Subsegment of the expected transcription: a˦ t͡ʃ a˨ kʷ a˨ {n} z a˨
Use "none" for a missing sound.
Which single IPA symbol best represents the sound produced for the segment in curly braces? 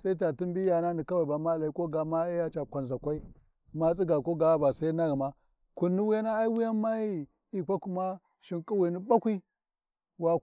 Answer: n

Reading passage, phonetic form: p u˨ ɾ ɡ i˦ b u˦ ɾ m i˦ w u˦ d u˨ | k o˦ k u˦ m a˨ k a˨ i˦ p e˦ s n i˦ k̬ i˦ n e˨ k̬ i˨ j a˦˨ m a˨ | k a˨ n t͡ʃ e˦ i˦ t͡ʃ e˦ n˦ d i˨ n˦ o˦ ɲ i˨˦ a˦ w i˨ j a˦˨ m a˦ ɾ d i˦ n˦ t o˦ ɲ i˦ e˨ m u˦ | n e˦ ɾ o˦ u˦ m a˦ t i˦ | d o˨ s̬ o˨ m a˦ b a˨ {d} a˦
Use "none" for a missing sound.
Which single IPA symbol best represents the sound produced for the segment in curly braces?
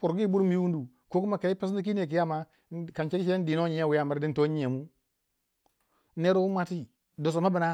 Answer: n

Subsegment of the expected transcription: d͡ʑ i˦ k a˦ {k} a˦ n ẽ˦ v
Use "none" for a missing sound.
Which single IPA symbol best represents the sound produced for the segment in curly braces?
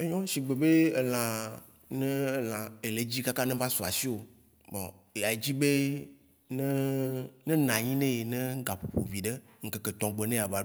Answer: k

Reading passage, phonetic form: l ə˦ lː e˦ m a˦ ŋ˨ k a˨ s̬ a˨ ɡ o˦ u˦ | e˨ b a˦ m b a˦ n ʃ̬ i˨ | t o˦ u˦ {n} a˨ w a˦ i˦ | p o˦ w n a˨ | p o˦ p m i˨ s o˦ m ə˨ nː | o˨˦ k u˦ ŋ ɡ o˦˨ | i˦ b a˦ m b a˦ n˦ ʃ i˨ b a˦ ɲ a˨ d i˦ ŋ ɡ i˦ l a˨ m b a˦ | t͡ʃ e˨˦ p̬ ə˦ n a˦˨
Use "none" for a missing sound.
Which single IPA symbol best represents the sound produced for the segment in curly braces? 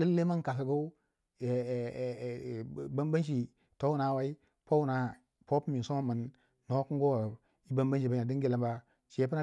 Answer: n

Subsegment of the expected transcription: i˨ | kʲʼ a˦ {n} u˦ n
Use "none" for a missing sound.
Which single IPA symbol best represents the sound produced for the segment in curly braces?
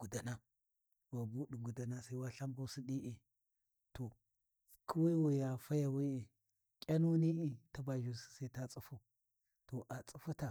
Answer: n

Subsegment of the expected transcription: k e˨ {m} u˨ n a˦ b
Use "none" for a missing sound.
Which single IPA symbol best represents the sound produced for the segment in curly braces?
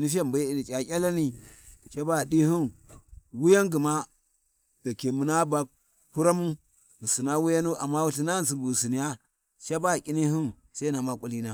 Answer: m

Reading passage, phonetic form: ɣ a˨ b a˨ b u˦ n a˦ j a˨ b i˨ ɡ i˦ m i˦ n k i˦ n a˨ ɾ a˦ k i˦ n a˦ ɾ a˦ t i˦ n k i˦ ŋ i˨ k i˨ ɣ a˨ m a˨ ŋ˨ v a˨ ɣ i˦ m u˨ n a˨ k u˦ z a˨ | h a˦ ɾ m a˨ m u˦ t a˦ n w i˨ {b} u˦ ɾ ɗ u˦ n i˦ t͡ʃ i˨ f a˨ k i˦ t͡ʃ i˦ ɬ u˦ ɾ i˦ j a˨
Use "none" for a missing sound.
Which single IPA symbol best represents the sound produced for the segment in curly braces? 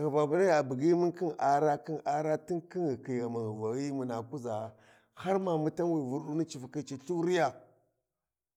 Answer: v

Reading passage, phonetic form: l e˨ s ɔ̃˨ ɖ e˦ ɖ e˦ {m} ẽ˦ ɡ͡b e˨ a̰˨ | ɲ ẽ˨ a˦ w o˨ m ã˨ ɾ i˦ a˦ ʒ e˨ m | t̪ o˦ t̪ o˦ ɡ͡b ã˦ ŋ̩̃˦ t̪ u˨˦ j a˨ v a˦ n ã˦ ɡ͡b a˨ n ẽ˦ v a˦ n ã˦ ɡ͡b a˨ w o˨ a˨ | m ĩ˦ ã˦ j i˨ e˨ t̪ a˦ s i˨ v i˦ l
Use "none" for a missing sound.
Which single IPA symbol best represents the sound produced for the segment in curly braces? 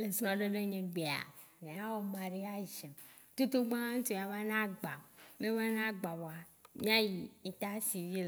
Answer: ɲ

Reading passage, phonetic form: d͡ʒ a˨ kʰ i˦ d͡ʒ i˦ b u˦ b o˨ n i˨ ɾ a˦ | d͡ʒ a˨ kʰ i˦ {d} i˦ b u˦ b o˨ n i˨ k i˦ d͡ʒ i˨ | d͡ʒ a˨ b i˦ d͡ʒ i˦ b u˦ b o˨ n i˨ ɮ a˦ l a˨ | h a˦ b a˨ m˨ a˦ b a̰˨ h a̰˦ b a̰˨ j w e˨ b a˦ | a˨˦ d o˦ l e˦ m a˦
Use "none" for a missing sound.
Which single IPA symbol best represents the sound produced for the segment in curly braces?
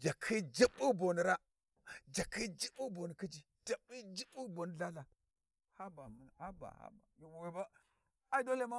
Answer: d͡ʒ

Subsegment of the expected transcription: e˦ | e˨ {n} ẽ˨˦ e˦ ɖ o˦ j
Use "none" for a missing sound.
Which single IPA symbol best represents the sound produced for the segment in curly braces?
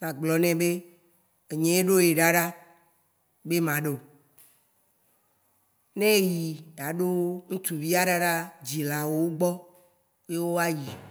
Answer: ɲ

